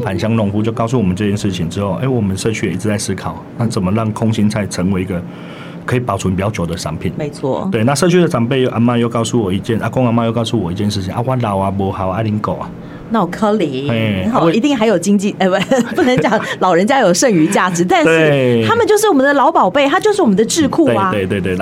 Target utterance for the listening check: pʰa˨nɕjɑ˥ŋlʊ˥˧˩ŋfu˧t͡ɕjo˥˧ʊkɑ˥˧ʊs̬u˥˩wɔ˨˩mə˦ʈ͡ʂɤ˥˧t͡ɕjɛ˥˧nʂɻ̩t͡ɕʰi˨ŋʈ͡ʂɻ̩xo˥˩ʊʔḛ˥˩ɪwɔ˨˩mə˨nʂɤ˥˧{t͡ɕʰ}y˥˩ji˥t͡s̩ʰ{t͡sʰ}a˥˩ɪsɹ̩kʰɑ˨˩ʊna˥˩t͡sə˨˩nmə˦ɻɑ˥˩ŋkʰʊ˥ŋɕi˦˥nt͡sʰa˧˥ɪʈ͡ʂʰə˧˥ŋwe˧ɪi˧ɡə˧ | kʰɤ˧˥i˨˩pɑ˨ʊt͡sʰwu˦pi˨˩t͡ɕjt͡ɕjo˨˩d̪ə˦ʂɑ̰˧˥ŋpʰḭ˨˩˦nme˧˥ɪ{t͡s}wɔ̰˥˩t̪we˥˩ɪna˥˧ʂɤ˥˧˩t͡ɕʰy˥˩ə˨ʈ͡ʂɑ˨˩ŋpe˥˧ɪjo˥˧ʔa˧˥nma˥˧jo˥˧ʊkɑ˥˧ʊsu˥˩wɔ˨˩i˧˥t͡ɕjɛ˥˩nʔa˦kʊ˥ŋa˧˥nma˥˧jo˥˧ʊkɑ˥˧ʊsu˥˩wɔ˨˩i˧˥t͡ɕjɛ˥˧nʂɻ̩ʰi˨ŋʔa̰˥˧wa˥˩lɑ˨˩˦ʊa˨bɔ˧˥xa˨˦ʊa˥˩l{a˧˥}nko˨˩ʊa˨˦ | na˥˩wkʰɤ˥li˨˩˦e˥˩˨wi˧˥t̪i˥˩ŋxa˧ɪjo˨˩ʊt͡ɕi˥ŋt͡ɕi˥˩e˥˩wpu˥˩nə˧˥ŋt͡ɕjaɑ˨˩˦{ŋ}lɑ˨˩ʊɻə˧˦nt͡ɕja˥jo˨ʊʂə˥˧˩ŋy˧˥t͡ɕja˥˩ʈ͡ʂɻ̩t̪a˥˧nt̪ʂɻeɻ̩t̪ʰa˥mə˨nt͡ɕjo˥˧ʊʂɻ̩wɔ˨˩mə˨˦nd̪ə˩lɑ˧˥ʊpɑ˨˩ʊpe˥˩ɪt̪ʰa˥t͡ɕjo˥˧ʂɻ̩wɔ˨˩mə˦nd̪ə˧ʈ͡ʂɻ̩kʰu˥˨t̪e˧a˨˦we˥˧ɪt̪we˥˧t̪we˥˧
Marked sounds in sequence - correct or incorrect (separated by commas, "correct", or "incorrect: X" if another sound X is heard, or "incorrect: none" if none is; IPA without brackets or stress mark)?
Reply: correct, incorrect: t͡s, incorrect: t͡sʰ, incorrect: i˧˥, correct